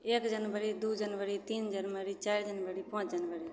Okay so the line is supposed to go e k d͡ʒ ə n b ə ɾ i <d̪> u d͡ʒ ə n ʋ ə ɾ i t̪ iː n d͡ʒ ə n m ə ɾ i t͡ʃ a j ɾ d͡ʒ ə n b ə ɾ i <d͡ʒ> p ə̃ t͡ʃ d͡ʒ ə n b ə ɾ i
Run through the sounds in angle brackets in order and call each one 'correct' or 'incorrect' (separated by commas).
correct, incorrect